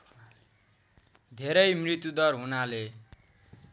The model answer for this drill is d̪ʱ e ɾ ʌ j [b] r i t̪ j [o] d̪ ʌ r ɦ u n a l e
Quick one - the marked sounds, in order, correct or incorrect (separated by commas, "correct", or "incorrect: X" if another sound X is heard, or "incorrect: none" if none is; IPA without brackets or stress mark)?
incorrect: m, incorrect: u